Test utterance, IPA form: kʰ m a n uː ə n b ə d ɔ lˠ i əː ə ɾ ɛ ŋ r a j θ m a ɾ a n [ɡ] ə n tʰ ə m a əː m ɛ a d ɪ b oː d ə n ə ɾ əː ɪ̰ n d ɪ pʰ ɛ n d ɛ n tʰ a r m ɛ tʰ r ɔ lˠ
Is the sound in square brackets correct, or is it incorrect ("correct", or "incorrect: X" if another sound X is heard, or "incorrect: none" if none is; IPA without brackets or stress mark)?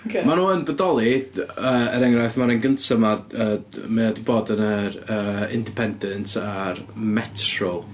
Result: correct